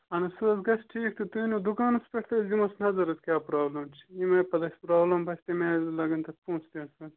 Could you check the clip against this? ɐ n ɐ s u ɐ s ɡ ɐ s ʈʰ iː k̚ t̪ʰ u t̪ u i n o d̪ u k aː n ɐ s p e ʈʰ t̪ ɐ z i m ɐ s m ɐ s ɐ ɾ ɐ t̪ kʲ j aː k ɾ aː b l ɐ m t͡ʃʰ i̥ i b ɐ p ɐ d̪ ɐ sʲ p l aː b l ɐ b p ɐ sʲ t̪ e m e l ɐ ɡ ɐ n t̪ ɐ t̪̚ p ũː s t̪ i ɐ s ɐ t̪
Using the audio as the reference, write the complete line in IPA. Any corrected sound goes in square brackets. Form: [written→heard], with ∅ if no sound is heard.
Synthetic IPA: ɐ n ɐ s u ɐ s ɡ ɐ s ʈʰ iː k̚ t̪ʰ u t̪ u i n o d̪ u k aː n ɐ s p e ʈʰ t̪ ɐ z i m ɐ s [m→n] ɐ [s→z] ɐ ɾ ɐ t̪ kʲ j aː [k→p] ɾ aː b l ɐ m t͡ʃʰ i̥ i [b→m] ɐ p ɐ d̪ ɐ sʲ p [l→ɾ] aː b l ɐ [b→m] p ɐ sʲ t̪ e m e l ɐ ɡ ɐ n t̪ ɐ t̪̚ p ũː s t̪ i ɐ s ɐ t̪